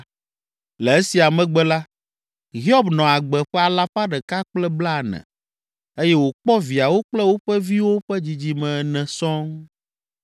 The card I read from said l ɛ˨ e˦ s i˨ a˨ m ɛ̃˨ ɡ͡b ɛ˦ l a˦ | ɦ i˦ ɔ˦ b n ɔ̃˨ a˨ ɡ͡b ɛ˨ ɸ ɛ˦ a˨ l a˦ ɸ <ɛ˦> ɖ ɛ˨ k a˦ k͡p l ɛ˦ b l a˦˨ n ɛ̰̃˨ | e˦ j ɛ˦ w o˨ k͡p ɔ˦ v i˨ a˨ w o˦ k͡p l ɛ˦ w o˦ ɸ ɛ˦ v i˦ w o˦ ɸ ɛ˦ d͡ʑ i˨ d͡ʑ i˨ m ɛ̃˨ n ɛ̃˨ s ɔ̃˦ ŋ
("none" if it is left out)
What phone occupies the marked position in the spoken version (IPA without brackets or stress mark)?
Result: a˦